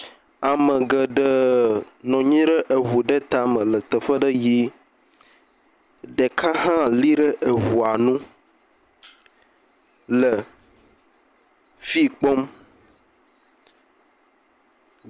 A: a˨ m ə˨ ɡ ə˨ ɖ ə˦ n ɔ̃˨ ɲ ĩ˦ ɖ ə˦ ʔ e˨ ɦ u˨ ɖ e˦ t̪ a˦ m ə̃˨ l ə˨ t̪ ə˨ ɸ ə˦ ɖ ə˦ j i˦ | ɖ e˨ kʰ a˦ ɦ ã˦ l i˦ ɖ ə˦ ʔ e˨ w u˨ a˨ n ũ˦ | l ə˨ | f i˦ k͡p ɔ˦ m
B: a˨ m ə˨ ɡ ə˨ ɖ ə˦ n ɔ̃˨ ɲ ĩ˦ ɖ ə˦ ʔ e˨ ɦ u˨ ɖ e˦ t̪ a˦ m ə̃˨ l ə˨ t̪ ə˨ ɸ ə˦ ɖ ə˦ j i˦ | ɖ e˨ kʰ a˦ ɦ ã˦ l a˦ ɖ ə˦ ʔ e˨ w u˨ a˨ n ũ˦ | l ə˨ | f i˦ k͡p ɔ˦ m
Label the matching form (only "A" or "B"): A